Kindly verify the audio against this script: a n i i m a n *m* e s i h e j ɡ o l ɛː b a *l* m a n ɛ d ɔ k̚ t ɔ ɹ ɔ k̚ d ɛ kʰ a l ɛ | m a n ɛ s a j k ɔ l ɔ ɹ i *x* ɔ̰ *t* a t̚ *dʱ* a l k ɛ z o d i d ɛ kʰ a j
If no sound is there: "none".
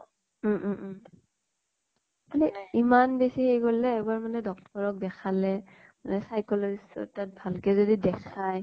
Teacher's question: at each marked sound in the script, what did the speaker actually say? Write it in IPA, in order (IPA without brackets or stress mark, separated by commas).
b, ɹ, s, t, bʱ